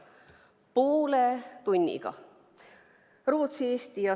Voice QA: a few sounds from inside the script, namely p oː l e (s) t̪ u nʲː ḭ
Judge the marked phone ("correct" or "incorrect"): incorrect